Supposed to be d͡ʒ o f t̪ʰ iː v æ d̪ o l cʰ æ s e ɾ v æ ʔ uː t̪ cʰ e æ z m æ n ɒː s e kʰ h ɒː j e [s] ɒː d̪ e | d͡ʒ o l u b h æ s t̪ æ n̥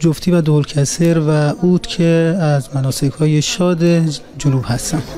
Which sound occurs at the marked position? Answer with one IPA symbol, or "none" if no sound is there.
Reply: ʃ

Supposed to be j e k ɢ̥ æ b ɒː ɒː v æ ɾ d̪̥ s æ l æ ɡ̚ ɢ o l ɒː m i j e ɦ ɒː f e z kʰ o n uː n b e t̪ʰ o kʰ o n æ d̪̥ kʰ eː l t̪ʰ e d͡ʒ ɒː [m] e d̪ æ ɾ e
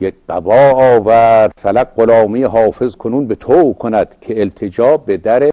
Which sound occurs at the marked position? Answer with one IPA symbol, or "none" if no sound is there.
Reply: b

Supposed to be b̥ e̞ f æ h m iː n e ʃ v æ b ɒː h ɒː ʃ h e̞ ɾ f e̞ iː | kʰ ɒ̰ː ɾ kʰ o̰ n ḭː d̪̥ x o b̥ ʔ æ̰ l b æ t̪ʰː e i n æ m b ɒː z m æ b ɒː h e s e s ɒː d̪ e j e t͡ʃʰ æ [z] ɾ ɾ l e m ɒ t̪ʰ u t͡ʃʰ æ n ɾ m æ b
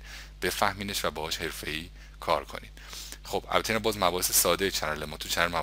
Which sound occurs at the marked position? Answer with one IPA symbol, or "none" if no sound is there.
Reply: none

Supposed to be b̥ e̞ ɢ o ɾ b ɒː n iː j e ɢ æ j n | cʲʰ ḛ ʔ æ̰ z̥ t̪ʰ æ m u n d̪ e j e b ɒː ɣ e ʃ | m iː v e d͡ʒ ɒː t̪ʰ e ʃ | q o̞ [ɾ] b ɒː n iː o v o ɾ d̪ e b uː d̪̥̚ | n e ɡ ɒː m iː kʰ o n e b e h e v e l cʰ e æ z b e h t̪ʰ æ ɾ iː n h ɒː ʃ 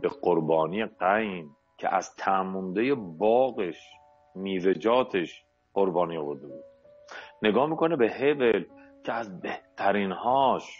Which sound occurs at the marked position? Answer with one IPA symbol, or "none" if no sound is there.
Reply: ɾ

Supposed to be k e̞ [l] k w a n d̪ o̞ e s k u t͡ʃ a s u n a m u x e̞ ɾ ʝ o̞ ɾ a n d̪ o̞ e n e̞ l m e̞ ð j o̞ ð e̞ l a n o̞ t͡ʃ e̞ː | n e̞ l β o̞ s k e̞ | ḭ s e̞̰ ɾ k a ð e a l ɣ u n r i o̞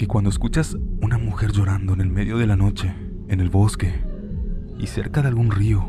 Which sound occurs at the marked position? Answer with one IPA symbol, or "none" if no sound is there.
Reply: none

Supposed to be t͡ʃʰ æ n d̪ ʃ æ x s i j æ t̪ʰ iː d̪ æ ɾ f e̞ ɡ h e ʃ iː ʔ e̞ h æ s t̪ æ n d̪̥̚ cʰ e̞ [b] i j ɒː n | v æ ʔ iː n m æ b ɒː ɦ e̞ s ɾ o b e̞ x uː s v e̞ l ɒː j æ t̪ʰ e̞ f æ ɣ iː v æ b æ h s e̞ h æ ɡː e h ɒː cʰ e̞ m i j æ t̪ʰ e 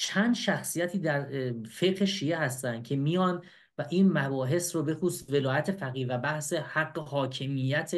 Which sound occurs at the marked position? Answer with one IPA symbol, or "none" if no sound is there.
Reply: m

